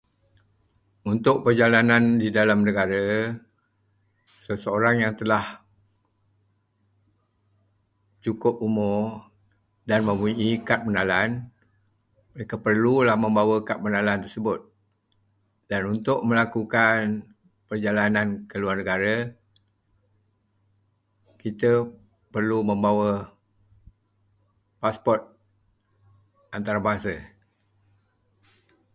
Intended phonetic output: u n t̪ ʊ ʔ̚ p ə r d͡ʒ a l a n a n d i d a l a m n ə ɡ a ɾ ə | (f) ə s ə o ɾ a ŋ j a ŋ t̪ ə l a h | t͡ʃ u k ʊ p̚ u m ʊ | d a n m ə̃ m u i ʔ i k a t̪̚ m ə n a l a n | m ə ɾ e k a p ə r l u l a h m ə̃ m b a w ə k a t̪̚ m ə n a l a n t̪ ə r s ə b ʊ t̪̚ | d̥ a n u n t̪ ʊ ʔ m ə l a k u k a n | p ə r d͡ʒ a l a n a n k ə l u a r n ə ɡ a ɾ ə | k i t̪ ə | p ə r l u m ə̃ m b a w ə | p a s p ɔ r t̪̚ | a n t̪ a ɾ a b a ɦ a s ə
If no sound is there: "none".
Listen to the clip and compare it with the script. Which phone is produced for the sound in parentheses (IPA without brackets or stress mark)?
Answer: s